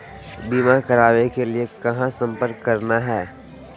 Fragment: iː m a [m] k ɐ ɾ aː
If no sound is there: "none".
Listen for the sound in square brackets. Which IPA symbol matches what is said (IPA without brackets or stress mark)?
none